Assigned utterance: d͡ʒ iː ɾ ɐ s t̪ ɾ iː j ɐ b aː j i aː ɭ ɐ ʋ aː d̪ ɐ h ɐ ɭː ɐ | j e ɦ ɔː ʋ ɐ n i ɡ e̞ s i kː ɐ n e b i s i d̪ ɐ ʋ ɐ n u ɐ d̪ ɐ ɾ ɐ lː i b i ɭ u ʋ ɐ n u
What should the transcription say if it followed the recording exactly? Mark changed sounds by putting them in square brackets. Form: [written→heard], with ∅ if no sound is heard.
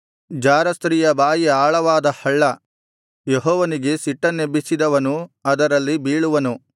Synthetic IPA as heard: d͡ʒ [iː→aː] ɾ ɐ s t̪ ɾ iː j ɐ b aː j i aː ɭ ɐ ʋ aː d̪ ɐ h ɐ ɭː ɐ | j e ɦ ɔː ʋ ɐ n i ɡ e̞ s i [kː→ʈː] ɐ n e b i s i d̪ ɐ ʋ ɐ n u ɐ d̪ ɐ ɾ ɐ lː i b [i→iː] ɭ u ʋ ɐ n u